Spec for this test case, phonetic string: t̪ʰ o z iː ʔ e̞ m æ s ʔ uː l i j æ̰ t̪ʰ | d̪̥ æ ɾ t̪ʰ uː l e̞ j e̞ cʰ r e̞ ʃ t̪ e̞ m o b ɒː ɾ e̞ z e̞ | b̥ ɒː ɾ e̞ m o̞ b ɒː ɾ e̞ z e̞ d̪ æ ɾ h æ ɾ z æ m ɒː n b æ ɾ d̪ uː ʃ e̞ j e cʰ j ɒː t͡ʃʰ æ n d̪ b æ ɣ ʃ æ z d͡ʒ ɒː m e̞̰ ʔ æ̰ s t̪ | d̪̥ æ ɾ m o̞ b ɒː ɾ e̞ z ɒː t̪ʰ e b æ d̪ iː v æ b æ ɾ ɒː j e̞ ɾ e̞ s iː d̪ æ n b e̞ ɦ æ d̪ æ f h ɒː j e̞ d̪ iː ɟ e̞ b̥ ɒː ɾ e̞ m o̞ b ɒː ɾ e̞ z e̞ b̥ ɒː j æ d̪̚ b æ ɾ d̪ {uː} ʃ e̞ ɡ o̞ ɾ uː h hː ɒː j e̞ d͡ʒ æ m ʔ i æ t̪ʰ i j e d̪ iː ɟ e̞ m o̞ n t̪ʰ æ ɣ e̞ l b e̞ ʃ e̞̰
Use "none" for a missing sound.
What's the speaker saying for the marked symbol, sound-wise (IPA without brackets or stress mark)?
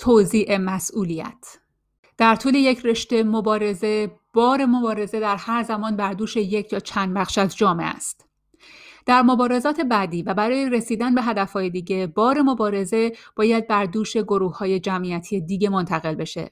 uː